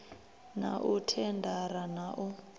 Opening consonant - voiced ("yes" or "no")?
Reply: yes